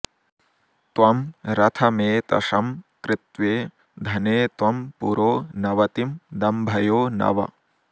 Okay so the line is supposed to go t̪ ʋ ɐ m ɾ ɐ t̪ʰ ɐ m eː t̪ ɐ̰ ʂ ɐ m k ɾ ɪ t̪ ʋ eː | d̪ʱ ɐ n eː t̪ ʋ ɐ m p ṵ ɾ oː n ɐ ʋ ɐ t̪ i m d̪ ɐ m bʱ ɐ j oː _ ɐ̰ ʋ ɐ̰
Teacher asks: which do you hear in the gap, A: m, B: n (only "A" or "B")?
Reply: B